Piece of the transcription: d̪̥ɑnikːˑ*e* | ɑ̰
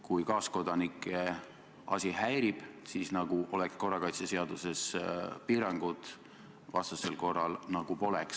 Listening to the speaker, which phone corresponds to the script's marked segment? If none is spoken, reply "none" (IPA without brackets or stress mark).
e